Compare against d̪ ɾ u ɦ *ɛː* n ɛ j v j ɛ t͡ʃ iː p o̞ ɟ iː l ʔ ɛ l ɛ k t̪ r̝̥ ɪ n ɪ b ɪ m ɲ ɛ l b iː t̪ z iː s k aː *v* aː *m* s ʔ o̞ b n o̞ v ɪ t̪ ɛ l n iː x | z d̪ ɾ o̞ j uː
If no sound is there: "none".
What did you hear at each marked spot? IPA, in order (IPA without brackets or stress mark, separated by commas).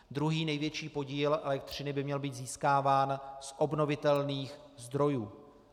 iː, v, n